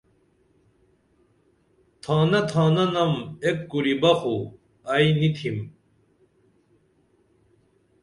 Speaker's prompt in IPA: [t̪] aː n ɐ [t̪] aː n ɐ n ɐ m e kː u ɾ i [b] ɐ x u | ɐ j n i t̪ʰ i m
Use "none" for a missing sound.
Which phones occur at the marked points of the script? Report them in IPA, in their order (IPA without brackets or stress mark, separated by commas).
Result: t̪ʰ, t̪ʰ, b